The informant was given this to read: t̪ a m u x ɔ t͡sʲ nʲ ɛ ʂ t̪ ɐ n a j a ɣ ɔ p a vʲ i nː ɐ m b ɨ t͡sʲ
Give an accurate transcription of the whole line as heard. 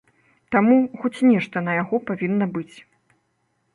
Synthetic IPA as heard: t̪ a m u x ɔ t͡sʲ nʲ ɛ ʂ t̪ ɐ n ɐ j a ɣ ɔ p a vʲ i nː ɐ b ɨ t͡sʲ